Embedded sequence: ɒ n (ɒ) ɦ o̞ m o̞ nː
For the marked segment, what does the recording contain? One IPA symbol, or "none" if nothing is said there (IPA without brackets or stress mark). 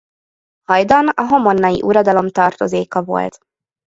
ɒ